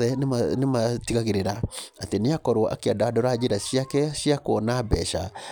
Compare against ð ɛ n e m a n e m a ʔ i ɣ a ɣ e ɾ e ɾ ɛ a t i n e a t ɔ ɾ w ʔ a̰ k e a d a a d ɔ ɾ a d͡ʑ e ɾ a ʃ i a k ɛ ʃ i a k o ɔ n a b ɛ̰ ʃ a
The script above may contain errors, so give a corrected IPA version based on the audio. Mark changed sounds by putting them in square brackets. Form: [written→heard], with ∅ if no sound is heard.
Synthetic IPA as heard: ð ɛ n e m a n e m a [ʔ→t] i ɣ a ɣ e ɾ e ɾ [ɛ→a] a t [i→e] n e a [t→k] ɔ ɾ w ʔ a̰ k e a d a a d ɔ ɾ a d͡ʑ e ɾ a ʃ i a k ɛ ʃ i a k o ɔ n a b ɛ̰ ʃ a